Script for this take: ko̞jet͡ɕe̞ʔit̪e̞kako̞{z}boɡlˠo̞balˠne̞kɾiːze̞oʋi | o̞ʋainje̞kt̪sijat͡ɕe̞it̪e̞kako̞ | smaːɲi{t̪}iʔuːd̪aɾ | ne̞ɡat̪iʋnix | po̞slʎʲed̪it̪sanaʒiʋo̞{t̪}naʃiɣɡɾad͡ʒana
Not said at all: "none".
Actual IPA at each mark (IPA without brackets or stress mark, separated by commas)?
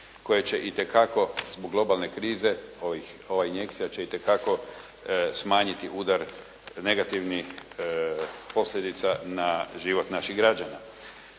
z, t̪, t̪